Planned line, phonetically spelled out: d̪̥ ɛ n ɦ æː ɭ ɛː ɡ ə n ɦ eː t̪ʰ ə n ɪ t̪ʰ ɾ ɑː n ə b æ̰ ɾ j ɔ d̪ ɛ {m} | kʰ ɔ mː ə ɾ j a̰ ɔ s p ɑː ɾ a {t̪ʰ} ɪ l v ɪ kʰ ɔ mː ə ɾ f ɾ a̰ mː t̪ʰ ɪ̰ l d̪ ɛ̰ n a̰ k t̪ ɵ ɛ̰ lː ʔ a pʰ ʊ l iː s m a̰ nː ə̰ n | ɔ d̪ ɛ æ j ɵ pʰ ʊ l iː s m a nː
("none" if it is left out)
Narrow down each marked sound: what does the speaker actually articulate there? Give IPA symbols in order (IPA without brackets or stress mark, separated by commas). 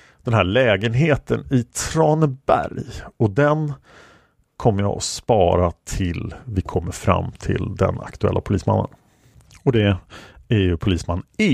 n, t̪ʰ